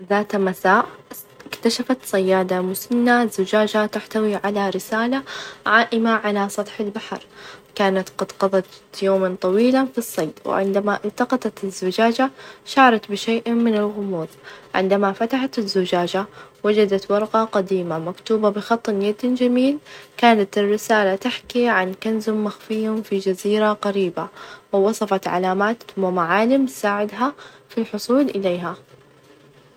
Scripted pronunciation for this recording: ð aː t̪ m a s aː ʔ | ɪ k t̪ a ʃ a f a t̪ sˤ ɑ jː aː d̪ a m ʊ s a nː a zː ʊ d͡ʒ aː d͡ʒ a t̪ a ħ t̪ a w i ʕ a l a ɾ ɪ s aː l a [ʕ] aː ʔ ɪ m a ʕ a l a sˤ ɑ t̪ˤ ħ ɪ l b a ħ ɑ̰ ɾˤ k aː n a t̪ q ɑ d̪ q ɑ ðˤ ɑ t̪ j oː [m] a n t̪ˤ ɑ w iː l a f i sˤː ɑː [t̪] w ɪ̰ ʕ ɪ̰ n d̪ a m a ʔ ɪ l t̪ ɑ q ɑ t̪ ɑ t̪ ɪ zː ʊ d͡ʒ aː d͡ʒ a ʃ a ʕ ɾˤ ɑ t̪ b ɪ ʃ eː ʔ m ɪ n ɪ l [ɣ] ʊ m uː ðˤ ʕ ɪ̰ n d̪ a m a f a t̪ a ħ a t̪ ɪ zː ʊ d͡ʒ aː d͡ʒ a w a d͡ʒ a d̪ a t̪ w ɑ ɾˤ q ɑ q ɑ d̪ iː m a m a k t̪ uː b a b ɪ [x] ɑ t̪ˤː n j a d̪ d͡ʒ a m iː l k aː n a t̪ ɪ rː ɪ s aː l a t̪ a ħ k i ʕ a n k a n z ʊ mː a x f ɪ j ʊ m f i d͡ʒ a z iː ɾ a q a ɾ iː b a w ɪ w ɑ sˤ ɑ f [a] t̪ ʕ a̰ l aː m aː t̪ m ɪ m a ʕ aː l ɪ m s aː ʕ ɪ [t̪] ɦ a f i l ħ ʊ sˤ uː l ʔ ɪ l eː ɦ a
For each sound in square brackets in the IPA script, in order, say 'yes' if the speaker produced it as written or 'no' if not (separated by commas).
yes, yes, no, yes, yes, no, no